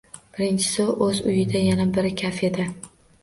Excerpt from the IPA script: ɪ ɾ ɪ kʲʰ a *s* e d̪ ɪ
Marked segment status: incorrect: f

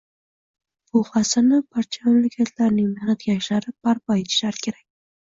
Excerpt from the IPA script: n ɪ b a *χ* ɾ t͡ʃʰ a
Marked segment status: incorrect: none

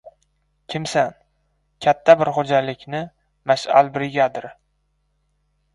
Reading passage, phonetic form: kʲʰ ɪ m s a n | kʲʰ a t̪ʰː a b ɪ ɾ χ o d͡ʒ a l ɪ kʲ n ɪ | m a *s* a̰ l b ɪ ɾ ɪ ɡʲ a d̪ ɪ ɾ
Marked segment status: incorrect: ʃ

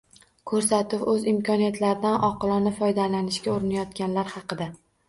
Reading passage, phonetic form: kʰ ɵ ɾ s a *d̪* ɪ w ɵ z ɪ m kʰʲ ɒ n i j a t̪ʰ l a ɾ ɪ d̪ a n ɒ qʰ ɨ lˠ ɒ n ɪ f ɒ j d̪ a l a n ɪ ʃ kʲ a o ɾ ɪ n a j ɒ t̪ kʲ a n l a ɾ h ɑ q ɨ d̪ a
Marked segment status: incorrect: t̪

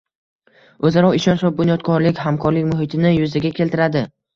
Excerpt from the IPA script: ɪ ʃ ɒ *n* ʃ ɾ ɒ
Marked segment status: correct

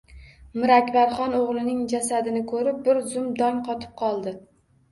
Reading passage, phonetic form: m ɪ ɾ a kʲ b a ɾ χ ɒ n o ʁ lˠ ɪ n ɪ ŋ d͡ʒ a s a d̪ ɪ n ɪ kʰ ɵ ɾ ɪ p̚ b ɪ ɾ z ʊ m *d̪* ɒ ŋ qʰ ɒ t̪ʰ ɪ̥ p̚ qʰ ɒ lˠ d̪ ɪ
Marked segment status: correct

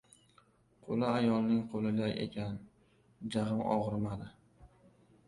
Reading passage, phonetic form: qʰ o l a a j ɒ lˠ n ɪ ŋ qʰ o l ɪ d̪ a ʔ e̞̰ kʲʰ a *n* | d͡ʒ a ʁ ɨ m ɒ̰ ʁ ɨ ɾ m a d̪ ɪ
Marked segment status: correct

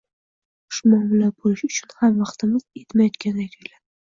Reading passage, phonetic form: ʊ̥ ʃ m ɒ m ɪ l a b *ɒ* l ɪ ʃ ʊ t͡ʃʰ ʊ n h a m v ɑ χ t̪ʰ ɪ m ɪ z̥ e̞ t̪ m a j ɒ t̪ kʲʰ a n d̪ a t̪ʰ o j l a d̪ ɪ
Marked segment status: incorrect: o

